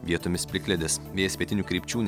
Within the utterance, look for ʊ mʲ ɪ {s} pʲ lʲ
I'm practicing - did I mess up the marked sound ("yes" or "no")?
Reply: no